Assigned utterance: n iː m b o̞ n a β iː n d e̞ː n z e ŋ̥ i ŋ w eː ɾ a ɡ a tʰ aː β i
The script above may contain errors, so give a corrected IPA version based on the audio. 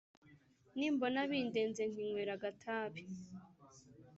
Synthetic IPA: n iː m b o̞ n a β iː n d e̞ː n z e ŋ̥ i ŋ w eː ɾ a ɡ a tʰ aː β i